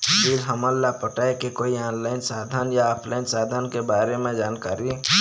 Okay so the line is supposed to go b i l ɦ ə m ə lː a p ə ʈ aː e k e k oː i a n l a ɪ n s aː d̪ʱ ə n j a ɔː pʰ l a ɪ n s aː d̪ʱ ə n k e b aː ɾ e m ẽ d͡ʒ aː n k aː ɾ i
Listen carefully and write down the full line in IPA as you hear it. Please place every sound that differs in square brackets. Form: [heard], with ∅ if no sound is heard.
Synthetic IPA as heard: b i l ɦ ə m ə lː a p ə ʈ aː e k e k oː i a n l a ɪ n s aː d̪ʱ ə n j a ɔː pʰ l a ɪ n s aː d̪ʱ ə n k e b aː ɾ e m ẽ d͡ʒ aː n k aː ɾ i